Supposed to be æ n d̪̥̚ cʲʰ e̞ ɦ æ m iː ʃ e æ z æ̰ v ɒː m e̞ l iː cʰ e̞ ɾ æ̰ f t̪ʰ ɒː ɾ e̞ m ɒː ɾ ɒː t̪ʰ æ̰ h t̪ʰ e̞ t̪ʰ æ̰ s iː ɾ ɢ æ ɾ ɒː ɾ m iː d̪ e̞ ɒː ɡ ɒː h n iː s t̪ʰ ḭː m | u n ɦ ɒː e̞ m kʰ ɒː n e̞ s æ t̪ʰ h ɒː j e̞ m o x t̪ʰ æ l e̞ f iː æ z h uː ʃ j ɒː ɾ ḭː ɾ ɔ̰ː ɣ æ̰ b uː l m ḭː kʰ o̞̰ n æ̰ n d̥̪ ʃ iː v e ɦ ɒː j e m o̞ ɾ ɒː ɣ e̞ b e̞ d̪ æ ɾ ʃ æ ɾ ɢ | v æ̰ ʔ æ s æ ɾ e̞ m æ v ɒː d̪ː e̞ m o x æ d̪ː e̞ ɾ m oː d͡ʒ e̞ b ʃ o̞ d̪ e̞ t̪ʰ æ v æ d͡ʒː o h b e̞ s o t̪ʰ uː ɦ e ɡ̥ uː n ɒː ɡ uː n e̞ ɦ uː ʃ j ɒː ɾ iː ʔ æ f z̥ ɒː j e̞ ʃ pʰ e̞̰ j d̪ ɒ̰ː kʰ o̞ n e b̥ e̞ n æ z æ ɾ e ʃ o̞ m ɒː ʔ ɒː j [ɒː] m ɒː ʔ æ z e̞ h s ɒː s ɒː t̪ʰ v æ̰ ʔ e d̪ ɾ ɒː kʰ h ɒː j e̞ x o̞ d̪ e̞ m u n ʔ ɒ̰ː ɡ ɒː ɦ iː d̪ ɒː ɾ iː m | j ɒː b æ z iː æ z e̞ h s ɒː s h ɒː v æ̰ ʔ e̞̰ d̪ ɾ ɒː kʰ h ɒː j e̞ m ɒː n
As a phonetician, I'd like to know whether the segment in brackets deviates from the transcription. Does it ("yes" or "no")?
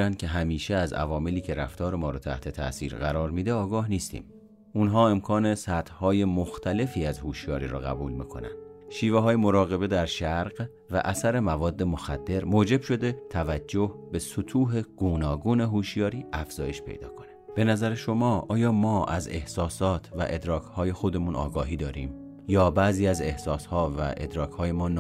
no